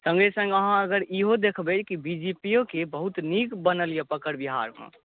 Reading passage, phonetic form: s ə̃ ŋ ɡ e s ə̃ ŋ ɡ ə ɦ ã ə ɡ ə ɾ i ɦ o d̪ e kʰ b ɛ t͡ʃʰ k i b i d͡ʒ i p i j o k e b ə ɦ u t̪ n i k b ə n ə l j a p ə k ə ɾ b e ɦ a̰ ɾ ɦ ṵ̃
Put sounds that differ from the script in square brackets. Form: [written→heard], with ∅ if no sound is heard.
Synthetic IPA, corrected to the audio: s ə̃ ŋ ɡ e s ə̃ ŋ ɡ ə ɦ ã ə ɡ ə ɾ i ɦ o d̪ e kʰ b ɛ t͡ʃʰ k i b i d͡ʒ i p i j o k e b ə ɦ u t̪ n i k b ə n ə l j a p ə k ə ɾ b [e→i] ɦ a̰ ɾ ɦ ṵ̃